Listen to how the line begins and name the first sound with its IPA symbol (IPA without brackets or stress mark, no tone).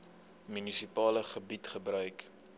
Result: m